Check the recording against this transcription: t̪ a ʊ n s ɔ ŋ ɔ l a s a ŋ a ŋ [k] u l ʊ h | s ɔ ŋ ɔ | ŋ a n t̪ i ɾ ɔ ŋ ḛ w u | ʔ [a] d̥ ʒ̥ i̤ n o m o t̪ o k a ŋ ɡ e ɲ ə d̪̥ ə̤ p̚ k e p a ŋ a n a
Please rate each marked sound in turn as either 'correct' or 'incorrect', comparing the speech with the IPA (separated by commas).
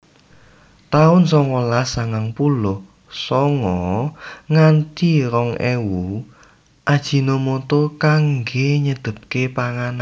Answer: incorrect, correct